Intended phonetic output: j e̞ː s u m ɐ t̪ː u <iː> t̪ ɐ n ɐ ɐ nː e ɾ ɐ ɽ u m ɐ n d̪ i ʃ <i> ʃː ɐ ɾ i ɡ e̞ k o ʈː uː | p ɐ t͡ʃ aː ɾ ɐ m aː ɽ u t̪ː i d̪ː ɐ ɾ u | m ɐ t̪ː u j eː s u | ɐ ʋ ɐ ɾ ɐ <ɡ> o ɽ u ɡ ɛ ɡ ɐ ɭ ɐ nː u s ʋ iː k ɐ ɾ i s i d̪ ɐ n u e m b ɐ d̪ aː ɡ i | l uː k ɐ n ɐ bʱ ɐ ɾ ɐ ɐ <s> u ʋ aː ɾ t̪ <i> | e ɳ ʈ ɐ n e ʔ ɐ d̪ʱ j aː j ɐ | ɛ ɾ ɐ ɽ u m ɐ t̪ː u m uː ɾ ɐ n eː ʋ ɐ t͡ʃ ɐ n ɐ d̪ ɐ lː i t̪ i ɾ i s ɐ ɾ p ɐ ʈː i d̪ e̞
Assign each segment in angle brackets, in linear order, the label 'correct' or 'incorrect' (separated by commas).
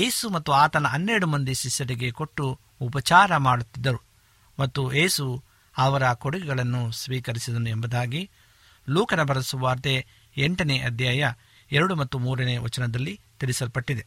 incorrect, correct, incorrect, correct, incorrect